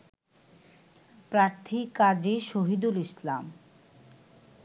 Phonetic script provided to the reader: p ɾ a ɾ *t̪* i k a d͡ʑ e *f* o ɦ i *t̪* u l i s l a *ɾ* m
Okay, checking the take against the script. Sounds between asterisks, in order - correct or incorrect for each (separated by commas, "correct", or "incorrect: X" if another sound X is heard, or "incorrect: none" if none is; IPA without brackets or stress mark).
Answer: incorrect: t̪ʰ, incorrect: ʃ, incorrect: d̪, incorrect: none